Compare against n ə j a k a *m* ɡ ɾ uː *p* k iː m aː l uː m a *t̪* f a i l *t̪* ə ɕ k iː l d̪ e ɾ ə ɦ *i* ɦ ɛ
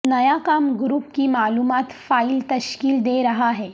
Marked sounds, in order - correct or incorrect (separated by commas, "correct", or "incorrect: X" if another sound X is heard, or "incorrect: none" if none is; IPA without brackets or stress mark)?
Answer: correct, correct, correct, correct, incorrect: a